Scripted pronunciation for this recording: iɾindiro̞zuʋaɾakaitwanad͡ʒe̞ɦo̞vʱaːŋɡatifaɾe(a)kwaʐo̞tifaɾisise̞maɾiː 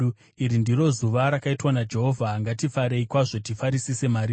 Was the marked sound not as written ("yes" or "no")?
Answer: yes